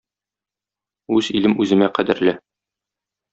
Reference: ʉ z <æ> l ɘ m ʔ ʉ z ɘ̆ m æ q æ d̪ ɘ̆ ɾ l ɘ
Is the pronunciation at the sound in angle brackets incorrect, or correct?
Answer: incorrect